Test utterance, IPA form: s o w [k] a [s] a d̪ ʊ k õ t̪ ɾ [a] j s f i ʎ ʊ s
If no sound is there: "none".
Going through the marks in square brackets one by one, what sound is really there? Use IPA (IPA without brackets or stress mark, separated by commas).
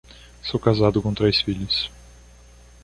k, z, e